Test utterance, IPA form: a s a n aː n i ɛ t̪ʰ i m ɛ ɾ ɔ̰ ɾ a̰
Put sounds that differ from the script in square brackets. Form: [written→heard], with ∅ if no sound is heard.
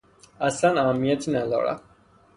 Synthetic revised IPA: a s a n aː [n→m] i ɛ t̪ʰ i [m→n] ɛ [ɾ→l] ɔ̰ ɾ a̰